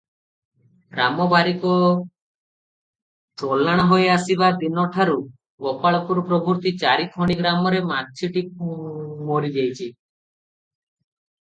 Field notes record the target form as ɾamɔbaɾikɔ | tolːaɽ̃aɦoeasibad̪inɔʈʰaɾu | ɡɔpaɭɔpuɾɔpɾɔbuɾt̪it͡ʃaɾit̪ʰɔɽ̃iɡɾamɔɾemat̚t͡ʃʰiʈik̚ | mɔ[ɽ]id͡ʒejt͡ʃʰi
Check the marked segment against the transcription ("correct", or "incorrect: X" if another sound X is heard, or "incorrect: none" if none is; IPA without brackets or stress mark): incorrect: ɾ